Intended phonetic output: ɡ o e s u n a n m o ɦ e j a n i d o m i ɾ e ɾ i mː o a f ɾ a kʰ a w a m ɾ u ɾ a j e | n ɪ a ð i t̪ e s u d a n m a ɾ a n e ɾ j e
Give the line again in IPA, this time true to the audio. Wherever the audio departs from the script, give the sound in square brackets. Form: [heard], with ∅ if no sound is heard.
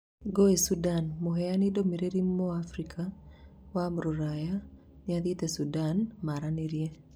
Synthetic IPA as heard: ɡ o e s u [d] a n m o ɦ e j a n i d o m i ɾ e ɾ i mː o a f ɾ [i] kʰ a w a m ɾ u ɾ a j [a] | n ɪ a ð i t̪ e s u d a n m a ɾ a n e ɾ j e